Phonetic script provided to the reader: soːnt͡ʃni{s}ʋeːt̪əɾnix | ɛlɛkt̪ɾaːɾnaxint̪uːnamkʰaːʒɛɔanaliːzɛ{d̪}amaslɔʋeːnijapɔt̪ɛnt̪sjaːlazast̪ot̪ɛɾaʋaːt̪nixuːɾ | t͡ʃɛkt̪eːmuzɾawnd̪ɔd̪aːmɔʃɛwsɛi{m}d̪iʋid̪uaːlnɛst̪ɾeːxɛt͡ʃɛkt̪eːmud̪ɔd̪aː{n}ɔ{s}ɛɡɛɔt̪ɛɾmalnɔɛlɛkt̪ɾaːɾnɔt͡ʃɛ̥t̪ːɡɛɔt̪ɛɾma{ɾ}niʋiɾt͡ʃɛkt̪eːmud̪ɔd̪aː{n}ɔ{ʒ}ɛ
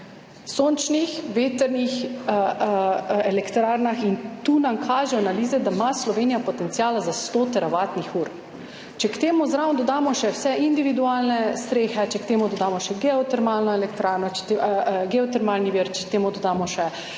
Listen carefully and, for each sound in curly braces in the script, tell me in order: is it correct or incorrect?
incorrect: x, correct, incorrect: n, incorrect: m, incorrect: ʃ, incorrect: l, incorrect: m, incorrect: ʃ

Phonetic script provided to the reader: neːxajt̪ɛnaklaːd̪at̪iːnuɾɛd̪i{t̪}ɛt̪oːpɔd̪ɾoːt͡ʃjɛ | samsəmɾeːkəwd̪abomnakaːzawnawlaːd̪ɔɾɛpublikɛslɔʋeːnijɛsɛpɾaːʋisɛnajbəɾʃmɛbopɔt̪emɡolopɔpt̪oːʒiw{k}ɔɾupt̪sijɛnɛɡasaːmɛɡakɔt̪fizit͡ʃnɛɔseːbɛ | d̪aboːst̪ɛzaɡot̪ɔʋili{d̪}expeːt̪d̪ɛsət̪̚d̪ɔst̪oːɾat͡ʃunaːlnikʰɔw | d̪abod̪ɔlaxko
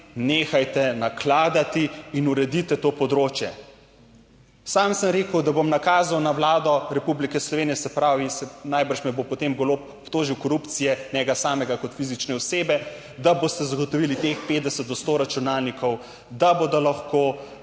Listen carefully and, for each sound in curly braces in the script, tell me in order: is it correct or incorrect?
correct, correct, incorrect: t̪

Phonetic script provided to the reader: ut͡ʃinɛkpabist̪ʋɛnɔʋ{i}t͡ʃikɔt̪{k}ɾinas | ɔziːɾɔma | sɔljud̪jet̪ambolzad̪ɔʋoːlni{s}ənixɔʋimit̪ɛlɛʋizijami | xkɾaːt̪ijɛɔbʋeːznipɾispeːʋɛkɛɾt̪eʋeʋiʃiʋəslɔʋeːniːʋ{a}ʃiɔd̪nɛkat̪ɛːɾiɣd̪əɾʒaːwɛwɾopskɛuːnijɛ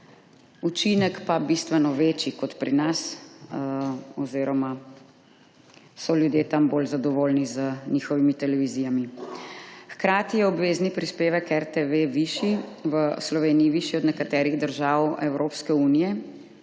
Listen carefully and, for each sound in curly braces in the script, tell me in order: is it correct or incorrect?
incorrect: e, incorrect: p, incorrect: z, incorrect: i

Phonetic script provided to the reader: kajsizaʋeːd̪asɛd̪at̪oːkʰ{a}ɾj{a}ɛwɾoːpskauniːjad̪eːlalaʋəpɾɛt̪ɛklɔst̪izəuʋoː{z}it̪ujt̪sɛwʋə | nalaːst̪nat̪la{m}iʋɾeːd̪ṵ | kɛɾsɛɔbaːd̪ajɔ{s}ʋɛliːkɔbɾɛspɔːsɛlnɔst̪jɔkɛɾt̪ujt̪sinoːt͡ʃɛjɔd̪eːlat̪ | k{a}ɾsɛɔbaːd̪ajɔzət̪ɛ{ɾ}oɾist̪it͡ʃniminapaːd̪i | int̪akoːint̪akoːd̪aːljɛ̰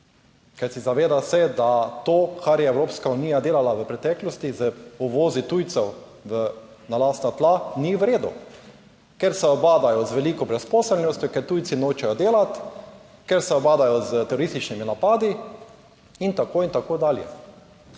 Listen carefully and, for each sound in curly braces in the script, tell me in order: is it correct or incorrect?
correct, incorrect: ɛ, correct, incorrect: n, incorrect: z, incorrect: ɛ, correct

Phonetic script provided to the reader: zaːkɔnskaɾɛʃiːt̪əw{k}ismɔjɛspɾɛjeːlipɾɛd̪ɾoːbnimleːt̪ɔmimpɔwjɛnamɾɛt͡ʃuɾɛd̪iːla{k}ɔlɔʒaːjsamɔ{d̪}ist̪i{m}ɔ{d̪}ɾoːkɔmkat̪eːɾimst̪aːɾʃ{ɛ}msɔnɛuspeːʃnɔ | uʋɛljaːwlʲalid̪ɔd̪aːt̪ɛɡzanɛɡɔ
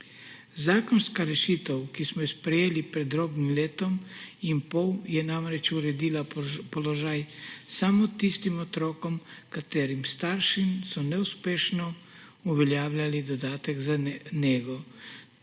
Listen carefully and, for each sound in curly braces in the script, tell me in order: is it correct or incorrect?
correct, incorrect: p, incorrect: t̪, correct, incorrect: t̪, incorrect: i

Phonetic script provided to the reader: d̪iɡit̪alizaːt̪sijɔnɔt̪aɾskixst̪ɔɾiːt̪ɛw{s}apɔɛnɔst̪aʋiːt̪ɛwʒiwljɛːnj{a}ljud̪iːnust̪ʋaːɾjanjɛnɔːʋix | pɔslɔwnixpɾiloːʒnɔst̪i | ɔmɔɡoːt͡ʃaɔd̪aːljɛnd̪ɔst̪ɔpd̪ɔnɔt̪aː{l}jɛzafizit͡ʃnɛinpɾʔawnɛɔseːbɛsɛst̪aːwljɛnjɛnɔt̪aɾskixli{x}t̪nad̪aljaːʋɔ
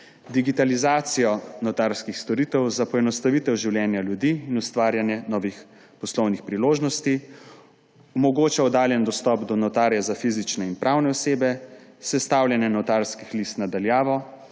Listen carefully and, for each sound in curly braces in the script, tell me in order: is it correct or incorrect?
incorrect: z, correct, incorrect: ɾ, incorrect: s

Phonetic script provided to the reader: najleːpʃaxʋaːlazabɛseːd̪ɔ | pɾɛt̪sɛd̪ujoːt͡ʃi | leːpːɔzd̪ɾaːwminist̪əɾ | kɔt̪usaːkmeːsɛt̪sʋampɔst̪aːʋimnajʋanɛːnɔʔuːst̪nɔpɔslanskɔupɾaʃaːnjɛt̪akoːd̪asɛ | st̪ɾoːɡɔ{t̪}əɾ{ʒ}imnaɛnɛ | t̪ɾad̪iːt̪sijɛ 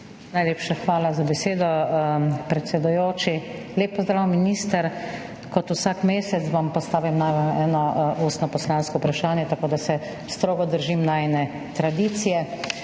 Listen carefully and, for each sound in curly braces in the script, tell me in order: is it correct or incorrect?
incorrect: d̪, correct

